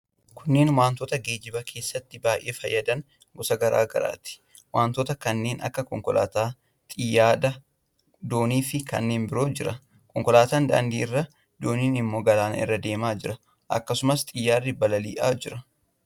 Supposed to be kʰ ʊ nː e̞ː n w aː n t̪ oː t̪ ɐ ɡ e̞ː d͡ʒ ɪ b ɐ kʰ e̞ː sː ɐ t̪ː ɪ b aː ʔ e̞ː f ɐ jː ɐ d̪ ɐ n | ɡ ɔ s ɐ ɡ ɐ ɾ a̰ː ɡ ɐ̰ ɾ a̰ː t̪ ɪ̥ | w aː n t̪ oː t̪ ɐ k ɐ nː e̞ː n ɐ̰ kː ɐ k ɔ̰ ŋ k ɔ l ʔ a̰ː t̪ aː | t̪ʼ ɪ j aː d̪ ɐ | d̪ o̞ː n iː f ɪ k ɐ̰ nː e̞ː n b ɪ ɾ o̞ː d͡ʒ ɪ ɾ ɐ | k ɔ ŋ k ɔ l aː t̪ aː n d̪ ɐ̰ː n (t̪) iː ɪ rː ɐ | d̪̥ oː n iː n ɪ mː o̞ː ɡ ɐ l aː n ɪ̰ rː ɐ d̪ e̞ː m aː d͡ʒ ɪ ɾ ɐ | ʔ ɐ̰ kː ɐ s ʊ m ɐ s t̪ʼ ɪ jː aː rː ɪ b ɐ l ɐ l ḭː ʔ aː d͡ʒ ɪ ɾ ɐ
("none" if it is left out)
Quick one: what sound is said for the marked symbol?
d̪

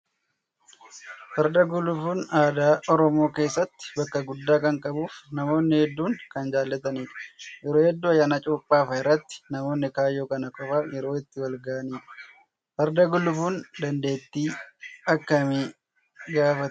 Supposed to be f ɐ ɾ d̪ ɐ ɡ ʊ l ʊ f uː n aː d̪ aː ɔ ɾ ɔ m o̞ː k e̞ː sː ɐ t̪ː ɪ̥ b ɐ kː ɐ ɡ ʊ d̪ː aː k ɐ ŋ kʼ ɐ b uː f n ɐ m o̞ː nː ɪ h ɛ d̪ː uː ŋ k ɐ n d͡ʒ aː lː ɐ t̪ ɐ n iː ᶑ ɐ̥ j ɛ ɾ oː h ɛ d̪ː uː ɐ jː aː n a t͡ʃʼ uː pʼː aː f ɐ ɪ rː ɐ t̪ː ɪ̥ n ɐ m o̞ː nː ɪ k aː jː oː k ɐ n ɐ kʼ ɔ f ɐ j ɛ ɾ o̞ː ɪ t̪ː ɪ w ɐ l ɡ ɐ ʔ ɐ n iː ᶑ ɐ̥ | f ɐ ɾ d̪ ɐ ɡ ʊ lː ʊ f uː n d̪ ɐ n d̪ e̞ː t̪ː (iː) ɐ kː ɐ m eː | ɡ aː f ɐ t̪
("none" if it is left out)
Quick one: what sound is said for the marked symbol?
iː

